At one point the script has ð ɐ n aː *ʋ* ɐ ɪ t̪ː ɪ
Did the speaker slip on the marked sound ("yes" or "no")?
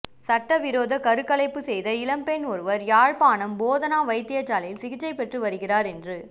no